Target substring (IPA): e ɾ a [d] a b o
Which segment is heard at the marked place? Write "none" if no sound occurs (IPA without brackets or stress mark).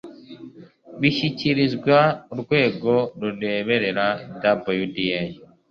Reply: d